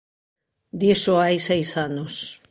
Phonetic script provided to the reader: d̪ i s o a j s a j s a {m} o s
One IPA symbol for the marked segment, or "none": n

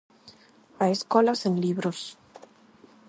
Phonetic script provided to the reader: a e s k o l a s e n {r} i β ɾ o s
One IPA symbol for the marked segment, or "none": l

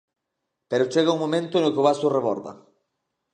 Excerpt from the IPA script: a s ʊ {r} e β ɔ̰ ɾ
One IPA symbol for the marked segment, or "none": r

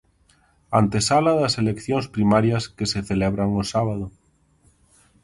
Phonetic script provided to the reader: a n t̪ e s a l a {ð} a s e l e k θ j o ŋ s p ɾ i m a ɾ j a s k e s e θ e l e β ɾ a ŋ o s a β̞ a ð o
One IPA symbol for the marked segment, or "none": ð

